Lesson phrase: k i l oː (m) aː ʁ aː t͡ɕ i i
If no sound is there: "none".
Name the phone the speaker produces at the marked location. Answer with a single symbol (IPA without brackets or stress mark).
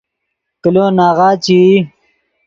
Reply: n